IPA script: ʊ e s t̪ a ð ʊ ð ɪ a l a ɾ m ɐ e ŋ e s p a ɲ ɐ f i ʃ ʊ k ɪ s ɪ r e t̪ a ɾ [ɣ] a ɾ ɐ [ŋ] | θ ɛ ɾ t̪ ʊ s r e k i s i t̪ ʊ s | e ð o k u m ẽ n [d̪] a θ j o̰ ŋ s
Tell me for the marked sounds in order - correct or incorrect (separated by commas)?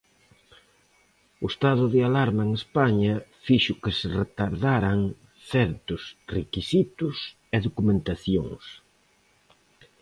incorrect, correct, incorrect